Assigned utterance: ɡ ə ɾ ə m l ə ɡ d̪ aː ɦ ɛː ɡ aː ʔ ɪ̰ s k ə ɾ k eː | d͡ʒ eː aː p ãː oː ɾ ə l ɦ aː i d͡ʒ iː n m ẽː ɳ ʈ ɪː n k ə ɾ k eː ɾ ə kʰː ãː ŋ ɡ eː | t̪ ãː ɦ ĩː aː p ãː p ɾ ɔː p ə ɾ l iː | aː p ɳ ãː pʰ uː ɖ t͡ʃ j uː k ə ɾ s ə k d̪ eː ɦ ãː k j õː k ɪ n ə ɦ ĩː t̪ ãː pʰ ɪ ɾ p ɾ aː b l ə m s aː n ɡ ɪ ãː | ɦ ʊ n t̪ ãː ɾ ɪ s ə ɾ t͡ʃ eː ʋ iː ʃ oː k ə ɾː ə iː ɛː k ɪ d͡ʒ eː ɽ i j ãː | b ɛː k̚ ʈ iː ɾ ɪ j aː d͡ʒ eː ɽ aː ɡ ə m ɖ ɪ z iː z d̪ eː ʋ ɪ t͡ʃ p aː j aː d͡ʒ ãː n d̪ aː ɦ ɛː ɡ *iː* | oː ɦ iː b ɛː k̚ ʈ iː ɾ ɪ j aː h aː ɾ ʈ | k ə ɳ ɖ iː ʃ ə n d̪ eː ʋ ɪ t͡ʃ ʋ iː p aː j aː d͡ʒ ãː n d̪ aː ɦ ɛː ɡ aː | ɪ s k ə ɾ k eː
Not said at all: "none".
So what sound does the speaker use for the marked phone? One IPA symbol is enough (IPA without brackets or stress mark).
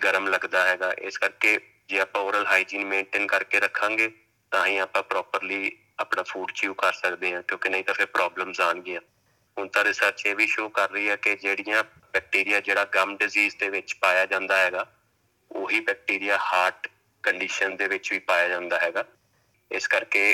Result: aː